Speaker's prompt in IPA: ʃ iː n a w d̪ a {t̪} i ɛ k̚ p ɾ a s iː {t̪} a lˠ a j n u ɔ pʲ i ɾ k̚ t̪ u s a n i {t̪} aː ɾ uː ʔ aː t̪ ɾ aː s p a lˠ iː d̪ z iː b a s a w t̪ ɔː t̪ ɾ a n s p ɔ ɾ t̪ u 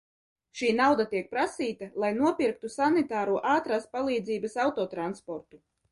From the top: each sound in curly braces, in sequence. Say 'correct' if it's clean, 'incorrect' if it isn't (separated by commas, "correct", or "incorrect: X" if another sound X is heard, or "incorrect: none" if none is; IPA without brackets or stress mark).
correct, correct, correct